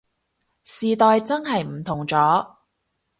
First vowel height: high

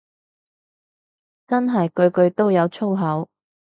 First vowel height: low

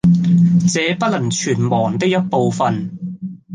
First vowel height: mid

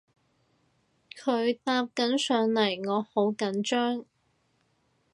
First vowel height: mid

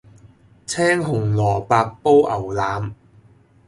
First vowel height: mid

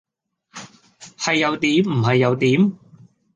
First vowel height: low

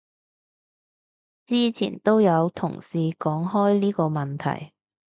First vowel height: high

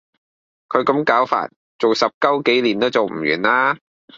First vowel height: mid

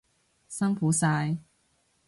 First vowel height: low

